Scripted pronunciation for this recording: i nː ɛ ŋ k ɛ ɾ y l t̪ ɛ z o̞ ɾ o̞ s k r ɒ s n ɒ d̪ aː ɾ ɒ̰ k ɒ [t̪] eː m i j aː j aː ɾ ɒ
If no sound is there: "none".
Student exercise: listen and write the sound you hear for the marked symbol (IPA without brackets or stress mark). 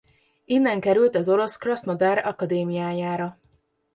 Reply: d̪